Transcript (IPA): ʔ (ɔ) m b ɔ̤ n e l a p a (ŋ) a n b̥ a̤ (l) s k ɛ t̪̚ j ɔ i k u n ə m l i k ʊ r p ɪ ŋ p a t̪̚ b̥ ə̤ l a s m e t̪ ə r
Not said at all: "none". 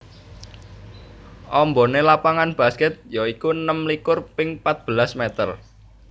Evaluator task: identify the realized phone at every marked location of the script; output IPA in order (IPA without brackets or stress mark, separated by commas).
ɔ, ŋ, none